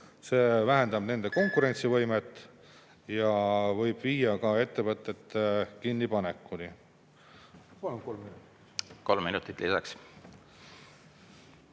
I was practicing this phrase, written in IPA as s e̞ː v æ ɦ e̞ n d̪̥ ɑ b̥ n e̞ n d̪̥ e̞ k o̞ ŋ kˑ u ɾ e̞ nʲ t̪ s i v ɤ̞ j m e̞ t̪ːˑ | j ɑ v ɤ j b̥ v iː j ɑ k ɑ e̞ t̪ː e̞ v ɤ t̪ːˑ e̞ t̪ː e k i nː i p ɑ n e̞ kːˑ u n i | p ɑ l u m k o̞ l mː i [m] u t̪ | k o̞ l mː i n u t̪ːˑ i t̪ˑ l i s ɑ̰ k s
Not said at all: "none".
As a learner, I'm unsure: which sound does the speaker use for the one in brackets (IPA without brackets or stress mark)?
n